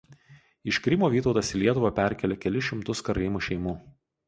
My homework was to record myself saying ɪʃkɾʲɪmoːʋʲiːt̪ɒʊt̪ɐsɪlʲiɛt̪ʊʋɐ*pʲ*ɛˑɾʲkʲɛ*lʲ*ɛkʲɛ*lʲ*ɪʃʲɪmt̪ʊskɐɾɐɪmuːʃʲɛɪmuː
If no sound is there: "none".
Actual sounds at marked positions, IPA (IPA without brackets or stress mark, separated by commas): pʲ, lʲ, lʲ